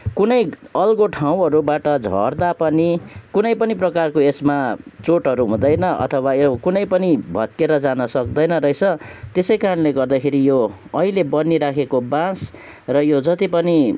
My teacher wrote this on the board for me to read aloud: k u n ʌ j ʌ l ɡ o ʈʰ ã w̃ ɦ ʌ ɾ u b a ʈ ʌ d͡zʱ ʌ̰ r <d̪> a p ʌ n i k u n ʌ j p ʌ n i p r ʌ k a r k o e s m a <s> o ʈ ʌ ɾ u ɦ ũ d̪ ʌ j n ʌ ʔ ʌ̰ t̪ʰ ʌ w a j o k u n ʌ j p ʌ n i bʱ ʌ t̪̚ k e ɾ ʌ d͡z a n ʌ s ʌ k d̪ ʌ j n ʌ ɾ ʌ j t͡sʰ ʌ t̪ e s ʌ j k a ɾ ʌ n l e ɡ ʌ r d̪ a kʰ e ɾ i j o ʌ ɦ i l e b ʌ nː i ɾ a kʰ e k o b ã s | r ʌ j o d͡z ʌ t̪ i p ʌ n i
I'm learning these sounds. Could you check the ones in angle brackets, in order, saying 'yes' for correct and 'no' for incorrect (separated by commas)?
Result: yes, no